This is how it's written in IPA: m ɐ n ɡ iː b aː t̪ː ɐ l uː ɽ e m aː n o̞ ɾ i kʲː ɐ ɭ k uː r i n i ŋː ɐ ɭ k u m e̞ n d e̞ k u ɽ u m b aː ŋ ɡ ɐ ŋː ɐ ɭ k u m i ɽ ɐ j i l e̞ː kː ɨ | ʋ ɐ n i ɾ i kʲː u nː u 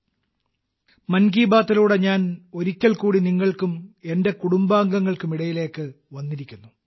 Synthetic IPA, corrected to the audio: m ɐ n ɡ iː b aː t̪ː ɐ l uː ɽ e ɲ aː n o̞ ɾ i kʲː ɐ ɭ k uː ɽ i n i ŋː ɐ ɭ k u m e̞ n d e̞ k u ɽ u m b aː ŋ ɡ ɐ ŋː ɐ ɭ k u m i ɽ ɐ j i l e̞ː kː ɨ | ʋ ɐ nː i ɾ i kʲː u nː u

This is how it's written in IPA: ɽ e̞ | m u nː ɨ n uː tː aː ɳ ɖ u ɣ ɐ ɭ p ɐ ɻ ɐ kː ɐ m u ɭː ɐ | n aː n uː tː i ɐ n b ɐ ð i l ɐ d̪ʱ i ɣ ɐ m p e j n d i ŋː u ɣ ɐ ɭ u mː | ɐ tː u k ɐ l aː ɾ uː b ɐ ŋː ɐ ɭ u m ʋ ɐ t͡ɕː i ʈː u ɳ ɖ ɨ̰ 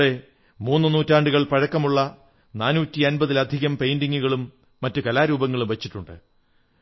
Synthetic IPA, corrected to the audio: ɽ e̞ | m uː nː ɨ n uː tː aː ɳ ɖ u ɣ ɐ ɭ p ɐ ɻ ɐ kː ɐ m u ɭː ɐ | n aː n uː tː i ɐ n b ɐ ð i l ɐ d̪ʱ i ɣ ɐ m p e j n d i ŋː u ɣ ɐ ɭ u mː | ɐ tː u k ɐ l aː ɾ uː b ɐ ŋː ɐ ɭ u m ʋ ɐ t͡ɕː i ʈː u ɳ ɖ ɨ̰

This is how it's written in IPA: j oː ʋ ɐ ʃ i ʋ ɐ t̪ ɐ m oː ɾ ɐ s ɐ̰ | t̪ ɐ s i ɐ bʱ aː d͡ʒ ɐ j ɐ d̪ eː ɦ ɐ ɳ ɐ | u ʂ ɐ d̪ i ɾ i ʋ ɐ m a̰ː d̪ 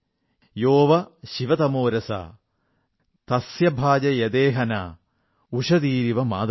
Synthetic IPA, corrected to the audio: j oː ʋ ɐ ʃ i ʋ ɐ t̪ ɐ m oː ɾ ɐ s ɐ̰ | t̪ ɐ s j ɐ bʱ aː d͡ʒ ɐ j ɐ d̪ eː ɦ ɐ n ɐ | u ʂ ɐ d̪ iː ɾ i ʋ ɐ m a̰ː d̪

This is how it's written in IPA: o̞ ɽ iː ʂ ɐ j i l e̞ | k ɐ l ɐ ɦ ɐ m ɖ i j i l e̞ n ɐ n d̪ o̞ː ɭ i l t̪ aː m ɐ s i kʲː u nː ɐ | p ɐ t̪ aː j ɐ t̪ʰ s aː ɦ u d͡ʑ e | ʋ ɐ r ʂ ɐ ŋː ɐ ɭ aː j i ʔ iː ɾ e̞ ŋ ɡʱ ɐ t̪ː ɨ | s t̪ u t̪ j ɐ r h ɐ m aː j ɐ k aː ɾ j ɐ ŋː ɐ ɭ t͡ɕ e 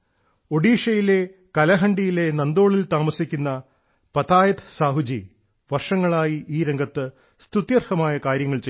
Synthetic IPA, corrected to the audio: o̞ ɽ iː ʂ ɐ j i l e̞ | k ɐ l ɐ ɦ ɐ ɳ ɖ i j i l e̞ n ɐ n d̪ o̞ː ɭ i l t̪ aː m ɐ s i kʲː u nː ɐ | p ɐ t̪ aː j ɐ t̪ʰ s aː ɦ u d͡ʑ i | ʋ ɐ r ʂ ɐ ŋː ɐ ɭ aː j i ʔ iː ɾ e̞ ŋ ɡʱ ɐ t̪ː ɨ | s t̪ u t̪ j ɐ r h ɐ m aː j ɐ k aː ɾ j ɐ ŋː ɐ ɭ t͡ɕ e

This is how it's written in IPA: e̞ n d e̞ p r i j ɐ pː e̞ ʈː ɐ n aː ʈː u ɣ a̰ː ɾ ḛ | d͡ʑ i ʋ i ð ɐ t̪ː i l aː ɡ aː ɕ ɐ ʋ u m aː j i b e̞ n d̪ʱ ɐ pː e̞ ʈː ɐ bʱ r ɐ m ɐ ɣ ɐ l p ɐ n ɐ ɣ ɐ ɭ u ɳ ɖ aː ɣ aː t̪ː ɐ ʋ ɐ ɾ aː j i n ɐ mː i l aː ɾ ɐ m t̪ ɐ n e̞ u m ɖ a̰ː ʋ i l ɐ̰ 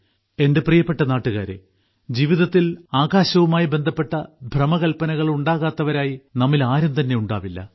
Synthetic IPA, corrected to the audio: e̞ n d e̞ p r i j ɐ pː e̞ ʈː ɐ n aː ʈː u ɣ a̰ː ɾ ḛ | d͡ʑ i ʋ i ð ɐ t̪ː i l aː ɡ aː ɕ ɐ ʋ u m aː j i b e̞ n d̪ʱ ɐ pː e̞ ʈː ɐ bʱ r ɐ m ɐ ɣ ɐ l p ɐ n ɐ ɣ ɐ ɭ u ɳ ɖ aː ɣ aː t̪ː ɐ ʋ ɐ ɾ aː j i n ɐ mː i l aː ɾ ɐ m t̪ ɐ nː e̞ u ɳ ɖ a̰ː ʋ i lː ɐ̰

